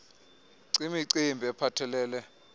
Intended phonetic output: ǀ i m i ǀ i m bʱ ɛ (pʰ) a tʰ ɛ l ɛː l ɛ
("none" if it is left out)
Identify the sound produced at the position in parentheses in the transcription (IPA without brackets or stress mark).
pʰ